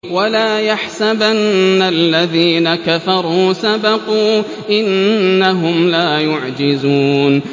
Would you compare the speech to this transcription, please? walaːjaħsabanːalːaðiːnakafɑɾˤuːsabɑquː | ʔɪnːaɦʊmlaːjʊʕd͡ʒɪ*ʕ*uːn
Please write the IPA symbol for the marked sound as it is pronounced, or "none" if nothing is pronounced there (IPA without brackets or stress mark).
z